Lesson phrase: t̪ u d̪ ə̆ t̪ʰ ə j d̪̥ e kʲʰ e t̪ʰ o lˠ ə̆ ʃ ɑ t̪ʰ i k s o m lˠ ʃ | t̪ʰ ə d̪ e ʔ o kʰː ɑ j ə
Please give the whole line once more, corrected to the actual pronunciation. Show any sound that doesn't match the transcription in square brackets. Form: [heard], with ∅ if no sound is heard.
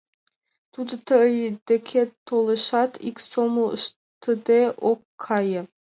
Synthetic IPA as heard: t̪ u d̪ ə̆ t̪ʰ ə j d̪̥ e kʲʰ e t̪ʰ o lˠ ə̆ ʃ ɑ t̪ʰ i k s o m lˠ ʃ | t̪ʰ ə d̪ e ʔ o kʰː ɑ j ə